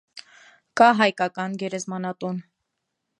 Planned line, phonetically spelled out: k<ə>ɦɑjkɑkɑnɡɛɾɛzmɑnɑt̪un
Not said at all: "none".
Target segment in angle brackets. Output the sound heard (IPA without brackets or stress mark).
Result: ɑ